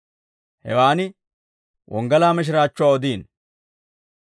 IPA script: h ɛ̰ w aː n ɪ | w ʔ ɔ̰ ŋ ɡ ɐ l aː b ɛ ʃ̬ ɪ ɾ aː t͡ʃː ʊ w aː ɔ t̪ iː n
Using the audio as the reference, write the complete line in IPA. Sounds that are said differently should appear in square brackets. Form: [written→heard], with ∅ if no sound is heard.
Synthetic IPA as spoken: h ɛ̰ w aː n ɪ | w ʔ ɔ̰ ŋ ɡ ɐ l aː [b→m] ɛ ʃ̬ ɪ ɾ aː t͡ʃː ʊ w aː ɔ [t̪→d̪] iː n